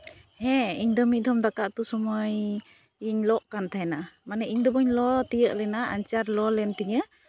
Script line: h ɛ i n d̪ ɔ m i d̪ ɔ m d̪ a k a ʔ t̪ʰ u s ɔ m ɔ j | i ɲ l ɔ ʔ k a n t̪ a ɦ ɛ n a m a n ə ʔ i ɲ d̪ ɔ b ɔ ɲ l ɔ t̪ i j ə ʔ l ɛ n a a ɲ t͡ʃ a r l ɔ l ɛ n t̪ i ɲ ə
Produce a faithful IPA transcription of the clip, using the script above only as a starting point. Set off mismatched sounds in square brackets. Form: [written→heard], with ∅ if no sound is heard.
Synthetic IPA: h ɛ i [n→ɲ] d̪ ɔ m i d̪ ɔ m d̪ a k a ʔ [t̪ʰ→t̪] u s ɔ m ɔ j | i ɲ l ɔ ʔ k a n t̪ a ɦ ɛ n a m a n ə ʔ i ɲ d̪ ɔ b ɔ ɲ l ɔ t̪ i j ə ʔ l ɛ n a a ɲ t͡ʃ a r l ɔ l ɛ n t̪ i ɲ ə